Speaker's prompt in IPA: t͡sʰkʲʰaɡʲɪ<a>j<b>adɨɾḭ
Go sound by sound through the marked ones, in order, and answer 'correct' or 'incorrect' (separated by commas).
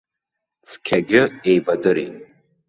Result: incorrect, correct